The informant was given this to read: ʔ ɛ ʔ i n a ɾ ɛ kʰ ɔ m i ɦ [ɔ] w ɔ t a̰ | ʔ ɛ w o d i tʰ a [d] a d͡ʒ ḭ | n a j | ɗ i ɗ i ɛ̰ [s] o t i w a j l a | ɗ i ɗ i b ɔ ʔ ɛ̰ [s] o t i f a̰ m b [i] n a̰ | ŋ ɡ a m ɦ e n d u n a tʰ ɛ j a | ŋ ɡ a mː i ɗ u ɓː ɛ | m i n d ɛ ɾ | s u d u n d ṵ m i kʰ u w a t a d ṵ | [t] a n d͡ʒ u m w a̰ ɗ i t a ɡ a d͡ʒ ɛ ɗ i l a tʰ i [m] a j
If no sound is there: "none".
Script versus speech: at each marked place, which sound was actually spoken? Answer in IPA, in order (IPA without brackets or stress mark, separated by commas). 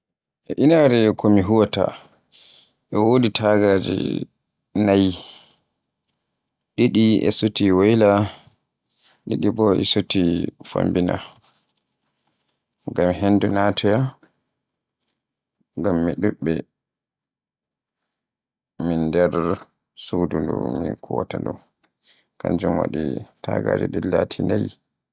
u, ɡ, s, s, i, k, n